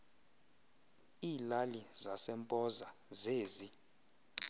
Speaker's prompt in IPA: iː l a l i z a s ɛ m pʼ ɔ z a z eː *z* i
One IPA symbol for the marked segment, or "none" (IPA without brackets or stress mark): z